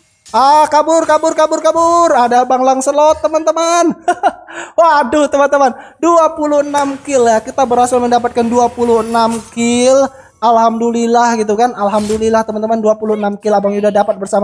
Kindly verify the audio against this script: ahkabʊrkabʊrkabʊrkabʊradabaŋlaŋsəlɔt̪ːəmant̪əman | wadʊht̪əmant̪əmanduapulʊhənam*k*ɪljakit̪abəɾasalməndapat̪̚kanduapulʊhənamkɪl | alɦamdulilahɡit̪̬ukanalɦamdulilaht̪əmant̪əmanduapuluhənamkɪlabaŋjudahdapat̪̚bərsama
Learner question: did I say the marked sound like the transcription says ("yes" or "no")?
yes